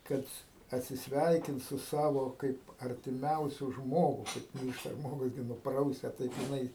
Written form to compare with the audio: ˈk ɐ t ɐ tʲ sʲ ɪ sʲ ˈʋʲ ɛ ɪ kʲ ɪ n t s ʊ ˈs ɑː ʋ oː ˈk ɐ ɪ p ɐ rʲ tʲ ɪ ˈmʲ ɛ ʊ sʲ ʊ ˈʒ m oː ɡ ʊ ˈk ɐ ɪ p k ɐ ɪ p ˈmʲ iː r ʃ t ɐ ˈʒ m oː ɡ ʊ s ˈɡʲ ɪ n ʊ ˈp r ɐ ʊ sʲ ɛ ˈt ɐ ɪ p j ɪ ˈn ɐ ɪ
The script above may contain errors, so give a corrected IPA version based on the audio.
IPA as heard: ˈk ɐ t ɐ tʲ sʲ ɪ sʲ ˈʋʲ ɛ ɪ kʲ ɪ n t s ʊ ˈs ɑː ʋ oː ˈk ɐ ɪ p ɐ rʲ tʲ ɪ ˈmʲ ɛ ʊ sʲ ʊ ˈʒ m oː ɡ ʊ ˈk ɐ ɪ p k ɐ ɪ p ˈmʲ iː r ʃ t ɐ ˈʒ m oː ɡ ʊ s ˈɡʲ ɪ n ʊ ˈp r ɐ ʊ sʲ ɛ ˈt ɐ ɪ p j ɪ ˈn ɐ ɪ